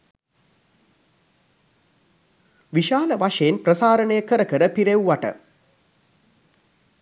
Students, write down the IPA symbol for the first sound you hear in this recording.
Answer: ʋ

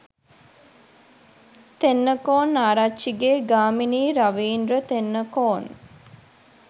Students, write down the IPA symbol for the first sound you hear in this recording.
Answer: t̪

